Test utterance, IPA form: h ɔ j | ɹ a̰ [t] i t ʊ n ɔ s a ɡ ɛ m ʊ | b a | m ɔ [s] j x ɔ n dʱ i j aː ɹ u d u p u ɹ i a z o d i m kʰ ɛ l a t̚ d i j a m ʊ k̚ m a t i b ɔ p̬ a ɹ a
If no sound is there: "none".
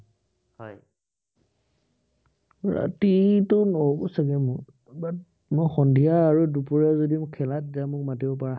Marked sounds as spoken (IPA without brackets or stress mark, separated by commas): t, none